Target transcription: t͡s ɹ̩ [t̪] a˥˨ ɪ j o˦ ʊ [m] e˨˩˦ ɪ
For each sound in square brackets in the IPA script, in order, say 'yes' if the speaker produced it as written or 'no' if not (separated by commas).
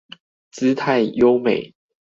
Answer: no, yes